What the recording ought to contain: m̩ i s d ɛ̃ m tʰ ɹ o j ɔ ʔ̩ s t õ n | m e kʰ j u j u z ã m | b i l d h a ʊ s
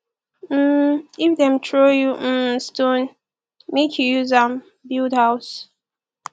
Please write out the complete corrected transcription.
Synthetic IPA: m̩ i f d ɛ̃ m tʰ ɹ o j u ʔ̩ s t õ n | m e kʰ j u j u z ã m | b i l d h a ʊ s